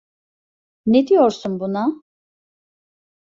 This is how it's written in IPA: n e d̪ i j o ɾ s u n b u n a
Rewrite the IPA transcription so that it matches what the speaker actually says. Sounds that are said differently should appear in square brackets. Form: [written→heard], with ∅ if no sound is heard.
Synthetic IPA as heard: n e d̪ i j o ɾ s u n b u n a